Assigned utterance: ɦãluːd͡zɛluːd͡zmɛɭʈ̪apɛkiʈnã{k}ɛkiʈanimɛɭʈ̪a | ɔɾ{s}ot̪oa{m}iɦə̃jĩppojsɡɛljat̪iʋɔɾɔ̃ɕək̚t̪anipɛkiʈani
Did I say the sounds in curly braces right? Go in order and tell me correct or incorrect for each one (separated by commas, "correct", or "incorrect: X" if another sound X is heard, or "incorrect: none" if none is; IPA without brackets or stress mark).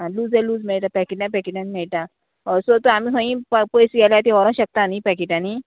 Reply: incorrect: p, correct, correct